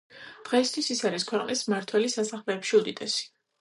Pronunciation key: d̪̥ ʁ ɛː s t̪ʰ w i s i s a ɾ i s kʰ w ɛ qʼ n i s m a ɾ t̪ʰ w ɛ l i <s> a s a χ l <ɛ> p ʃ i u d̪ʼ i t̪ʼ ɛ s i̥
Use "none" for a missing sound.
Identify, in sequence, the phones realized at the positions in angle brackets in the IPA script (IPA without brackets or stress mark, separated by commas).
s, ɛː